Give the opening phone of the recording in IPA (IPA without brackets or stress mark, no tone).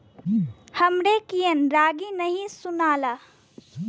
h